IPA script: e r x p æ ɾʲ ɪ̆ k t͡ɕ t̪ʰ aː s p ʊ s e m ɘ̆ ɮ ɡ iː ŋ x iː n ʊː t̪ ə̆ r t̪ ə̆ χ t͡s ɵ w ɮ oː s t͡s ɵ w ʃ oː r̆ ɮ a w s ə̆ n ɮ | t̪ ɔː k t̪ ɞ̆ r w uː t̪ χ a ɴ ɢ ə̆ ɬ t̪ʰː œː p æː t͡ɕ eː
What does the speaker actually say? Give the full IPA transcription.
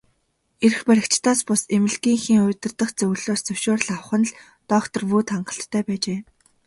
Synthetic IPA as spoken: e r x p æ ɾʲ ɪ̆ k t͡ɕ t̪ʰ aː s p ʊ s e m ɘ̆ ɮ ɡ iː ŋ x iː ŋ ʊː t̪ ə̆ r t̪ ə̆ χ t͡s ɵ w ɮ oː s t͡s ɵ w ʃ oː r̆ ɮ a w χ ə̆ n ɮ | t̪ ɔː k t̪ ɞ̆ r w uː t̪ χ a ɴ ɢ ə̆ ɬ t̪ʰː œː p æː t͡ɕ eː